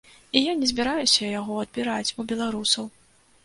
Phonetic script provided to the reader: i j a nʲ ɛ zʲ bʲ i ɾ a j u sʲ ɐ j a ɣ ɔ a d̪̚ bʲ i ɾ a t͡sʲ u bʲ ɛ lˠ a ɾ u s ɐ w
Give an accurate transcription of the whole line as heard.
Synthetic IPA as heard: i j a nʲ ɛ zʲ bʲ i ɾ a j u sʲ ɐ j a ɣ ɔ ɐ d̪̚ bʲ i ɾ a t͡sʲ u bʲ ɛ lˠ a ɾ u s ɐ w